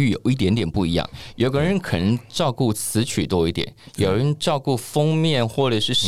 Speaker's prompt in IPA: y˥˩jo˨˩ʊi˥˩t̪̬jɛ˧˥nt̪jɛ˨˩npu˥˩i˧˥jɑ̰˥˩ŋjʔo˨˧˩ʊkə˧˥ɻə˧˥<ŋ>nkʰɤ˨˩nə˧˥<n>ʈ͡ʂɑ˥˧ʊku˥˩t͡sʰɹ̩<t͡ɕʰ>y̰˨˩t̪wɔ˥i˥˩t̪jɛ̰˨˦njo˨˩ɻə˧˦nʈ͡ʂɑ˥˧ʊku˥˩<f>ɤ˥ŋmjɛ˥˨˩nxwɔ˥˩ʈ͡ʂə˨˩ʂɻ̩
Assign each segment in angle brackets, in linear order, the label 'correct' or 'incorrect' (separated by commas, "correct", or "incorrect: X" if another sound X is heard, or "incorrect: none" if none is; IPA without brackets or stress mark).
incorrect: none, incorrect: ŋ, correct, correct